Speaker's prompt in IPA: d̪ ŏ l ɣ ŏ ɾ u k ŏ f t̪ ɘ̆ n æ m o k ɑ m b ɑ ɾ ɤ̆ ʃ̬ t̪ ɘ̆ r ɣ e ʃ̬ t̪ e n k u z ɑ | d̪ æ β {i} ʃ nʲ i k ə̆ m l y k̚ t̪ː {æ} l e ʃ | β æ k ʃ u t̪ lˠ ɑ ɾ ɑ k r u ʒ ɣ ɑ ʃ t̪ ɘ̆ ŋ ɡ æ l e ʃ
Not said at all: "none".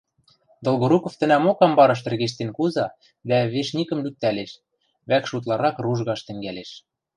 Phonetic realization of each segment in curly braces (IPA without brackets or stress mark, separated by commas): e, æ